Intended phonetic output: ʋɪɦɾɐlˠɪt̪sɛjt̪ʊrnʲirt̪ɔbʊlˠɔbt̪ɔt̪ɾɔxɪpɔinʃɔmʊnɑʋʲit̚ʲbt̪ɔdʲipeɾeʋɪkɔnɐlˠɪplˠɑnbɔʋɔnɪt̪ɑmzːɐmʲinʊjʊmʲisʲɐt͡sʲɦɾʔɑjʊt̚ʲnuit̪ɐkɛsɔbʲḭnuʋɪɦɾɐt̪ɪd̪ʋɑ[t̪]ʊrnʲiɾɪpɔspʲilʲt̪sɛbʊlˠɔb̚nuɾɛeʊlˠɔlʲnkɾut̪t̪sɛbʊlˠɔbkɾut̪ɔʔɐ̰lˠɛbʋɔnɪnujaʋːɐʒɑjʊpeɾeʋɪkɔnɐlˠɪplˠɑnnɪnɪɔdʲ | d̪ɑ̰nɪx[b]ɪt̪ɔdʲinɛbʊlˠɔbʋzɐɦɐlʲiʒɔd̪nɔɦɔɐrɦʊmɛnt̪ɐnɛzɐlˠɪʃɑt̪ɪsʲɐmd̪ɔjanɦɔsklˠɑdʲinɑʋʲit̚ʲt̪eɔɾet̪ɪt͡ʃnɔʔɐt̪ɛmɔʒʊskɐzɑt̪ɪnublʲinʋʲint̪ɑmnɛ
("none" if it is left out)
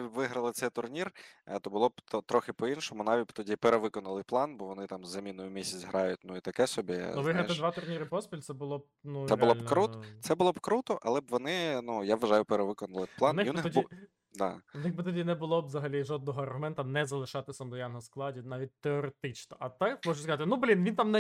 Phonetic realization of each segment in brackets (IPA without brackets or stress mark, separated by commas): t̪, b